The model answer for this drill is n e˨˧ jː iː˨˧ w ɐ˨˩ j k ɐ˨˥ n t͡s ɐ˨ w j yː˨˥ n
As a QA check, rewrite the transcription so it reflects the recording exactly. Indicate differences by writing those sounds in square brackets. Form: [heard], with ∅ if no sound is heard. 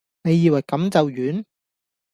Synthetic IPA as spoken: n e˨˧ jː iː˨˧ w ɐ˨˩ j k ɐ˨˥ [m] t͡s ɐ˨ w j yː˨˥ n